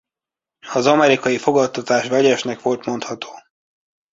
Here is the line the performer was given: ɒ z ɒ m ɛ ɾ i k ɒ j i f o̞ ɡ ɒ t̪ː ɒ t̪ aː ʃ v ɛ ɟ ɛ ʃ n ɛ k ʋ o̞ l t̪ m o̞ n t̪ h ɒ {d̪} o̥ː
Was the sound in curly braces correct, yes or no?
no